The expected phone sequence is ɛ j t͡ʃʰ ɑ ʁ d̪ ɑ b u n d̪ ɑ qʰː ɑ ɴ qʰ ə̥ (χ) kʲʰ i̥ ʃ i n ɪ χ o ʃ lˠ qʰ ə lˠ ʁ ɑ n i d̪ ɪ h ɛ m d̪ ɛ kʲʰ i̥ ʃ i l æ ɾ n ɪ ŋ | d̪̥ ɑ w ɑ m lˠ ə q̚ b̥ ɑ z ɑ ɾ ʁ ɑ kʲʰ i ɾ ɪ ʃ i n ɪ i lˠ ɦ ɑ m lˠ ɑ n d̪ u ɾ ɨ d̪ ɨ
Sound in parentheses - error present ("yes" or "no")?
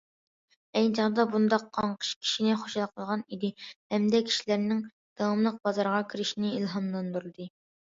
yes